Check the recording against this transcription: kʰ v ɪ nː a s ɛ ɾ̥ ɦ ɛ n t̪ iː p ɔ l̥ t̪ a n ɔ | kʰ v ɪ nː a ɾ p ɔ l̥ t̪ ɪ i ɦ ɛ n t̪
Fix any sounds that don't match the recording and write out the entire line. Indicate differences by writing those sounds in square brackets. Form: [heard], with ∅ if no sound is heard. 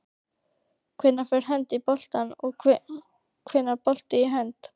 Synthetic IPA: kʰ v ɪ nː a [f] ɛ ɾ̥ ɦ ɛ n t̪ [i] p ɔ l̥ t̪ a n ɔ | kʰ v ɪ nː a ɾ p ɔ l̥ t̪ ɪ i ɦ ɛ n t̪